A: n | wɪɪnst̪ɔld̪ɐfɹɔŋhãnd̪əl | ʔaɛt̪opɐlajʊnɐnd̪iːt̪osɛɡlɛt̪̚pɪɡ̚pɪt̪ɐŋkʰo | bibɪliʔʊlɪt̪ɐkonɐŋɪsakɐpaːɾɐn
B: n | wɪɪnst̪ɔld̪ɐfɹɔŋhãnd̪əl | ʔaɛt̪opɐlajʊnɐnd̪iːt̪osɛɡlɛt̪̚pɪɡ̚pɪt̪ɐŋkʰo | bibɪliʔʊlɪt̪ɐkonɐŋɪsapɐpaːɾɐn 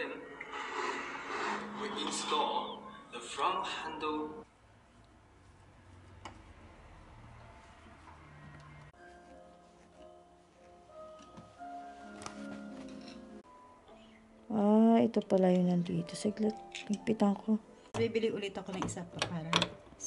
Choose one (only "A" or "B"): B